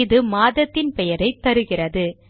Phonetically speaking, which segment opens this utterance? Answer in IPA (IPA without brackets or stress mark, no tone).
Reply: ð